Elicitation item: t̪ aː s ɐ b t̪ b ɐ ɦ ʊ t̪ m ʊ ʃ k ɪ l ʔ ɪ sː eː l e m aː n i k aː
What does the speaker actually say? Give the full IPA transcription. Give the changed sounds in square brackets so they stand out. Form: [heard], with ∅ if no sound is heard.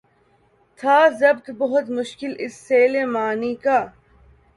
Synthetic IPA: [t̪ʰ] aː [z] ɐ b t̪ b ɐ ɦ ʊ t̪ m ʊ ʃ k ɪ l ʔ ɪ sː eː l e m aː n i k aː